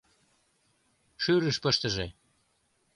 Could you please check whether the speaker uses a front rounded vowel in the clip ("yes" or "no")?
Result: yes